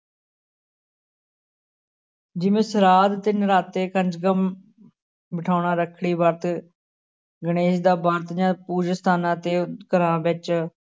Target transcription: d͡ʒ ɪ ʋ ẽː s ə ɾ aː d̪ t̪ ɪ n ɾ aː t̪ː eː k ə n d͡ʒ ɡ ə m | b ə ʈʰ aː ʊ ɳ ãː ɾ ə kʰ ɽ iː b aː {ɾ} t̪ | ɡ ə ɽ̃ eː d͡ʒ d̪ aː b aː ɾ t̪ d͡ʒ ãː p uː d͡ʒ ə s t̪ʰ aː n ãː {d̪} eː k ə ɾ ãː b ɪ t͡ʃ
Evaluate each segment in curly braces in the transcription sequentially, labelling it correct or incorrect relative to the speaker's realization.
correct, incorrect: t̪

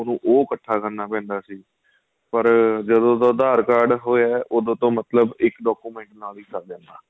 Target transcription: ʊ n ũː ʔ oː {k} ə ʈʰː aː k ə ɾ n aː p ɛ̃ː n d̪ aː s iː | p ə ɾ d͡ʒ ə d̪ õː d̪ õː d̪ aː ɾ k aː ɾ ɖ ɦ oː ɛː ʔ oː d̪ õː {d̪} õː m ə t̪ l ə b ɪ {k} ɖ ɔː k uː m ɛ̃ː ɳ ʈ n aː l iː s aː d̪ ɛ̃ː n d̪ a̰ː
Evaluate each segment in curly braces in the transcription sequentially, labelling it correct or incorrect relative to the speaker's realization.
correct, incorrect: t̪, correct

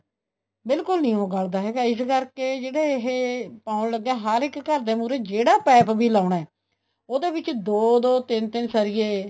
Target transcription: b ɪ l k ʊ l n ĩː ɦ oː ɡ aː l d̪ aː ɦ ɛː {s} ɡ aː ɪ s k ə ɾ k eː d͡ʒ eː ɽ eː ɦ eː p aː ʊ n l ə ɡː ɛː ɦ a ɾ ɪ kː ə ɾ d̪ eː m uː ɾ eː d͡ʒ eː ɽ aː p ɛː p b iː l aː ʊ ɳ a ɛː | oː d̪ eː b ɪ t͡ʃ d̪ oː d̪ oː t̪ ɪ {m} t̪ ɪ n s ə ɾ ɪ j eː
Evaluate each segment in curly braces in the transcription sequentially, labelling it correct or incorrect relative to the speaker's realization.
incorrect: none, incorrect: n

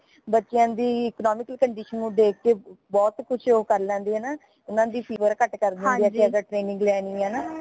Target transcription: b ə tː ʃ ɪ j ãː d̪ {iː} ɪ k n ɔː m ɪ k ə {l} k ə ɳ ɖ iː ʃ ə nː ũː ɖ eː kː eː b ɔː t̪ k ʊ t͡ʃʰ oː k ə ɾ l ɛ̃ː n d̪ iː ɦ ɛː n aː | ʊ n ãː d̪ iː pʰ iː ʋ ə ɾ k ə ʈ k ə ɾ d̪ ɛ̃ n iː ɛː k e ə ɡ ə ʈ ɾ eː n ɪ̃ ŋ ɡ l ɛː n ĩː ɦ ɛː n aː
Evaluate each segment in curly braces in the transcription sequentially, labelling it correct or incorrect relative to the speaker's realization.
correct, correct

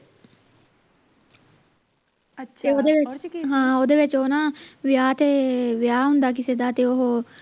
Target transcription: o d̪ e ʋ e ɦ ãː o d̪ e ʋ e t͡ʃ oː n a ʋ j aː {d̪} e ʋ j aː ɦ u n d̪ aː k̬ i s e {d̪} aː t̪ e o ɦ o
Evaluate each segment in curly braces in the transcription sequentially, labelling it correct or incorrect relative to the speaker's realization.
incorrect: t̪, correct

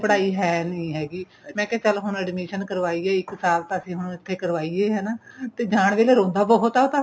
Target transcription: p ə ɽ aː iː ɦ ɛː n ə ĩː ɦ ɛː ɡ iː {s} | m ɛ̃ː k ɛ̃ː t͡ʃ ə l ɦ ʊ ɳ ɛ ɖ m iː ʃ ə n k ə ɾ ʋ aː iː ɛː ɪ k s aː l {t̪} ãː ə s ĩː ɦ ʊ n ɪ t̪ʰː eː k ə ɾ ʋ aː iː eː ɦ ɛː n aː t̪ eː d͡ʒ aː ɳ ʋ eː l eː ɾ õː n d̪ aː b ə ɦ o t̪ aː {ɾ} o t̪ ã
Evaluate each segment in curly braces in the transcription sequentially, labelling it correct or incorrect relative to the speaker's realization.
incorrect: none, correct, incorrect: none

